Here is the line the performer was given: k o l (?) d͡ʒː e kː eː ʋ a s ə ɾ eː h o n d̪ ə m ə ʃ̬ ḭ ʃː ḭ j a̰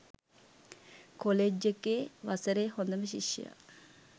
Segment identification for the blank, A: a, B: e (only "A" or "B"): B